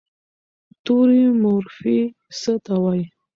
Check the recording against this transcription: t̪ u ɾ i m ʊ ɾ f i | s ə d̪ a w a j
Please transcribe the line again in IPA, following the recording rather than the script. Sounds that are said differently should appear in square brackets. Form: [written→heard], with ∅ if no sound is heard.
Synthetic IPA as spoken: t̪ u ɾ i m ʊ ɾ f i | s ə [d̪→t̪] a w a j